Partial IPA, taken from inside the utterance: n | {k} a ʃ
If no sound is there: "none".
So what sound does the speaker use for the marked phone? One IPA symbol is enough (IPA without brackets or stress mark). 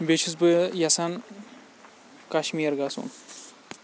k